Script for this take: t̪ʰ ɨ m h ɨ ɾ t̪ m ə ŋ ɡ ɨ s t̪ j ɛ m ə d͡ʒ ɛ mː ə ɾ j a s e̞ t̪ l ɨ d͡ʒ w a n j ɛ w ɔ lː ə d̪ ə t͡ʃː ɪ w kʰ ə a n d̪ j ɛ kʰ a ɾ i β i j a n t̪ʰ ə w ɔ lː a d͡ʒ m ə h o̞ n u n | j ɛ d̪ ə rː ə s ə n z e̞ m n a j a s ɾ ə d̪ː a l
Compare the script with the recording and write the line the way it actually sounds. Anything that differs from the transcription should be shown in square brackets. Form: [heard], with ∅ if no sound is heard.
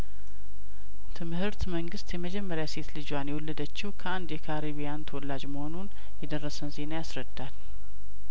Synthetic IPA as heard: t̪ʰ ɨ m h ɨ ɾ t̪ m ə ŋ ɡ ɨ s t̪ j ɛ m ə d͡ʒ ɛ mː ə ɾ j a s e̞ t̪ l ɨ d͡ʒ w a n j ɛ w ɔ lː ə d̪ ə t͡ʃː ɪ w kʰ ə a n d̪ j ɛ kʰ a ɾ i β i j a n t̪ʰ ə w ɔ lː a d͡ʒ m ə h o̞ n u n | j ɛ d̪ ə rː ə s ə n z e̞ [∅] n a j a s ɾ ə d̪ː a l